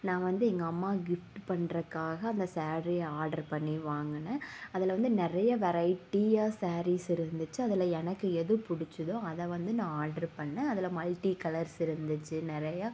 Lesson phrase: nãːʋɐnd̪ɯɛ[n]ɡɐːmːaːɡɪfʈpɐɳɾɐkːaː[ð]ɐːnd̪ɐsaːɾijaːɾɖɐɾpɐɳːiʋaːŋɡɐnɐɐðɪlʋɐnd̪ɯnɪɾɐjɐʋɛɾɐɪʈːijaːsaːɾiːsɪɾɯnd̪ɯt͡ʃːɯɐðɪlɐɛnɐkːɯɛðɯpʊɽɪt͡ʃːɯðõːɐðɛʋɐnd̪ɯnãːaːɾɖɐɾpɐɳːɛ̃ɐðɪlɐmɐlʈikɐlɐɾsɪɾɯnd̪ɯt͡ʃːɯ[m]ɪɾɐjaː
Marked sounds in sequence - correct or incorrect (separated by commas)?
incorrect, incorrect, incorrect